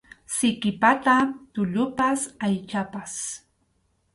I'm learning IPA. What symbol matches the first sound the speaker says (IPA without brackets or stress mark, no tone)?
s